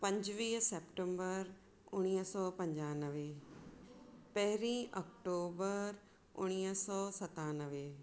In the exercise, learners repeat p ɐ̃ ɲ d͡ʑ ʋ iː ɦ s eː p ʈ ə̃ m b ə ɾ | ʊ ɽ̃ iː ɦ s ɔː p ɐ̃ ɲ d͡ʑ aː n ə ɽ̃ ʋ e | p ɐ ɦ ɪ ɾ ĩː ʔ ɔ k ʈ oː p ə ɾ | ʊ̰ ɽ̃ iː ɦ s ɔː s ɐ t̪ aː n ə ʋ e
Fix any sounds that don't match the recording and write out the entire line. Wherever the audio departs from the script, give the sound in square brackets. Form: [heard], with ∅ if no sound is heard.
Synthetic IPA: p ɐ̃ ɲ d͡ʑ ʋ iː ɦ s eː p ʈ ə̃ m b ə ɾ | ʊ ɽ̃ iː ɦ s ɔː p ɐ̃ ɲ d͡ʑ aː n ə [∅] ʋ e | p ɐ ɦ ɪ ɾ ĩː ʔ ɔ k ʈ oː [b] ə ɾ | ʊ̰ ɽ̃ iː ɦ s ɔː s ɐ t̪ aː n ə ʋ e